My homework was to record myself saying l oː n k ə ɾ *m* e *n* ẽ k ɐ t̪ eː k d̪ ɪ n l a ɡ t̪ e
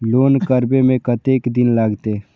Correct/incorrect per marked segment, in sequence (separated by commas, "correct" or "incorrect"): incorrect, incorrect